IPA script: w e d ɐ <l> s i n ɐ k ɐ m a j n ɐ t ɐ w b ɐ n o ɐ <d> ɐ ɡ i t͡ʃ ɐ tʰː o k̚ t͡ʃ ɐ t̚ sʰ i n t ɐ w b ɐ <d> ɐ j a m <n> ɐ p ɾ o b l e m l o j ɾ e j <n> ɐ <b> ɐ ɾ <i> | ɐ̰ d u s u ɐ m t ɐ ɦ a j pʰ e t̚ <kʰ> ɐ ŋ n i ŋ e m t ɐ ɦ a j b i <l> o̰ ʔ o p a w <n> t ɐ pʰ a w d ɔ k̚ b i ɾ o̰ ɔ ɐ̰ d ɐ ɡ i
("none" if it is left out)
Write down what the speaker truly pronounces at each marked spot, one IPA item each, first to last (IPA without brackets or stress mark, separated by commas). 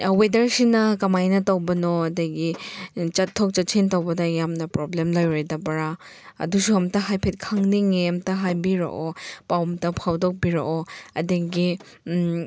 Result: ɾ, d, d, n, d, b, a, kʰ, ɾ, m